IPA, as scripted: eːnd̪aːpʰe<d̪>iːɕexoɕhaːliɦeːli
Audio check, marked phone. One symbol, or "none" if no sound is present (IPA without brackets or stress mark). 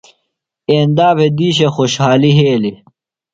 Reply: d̪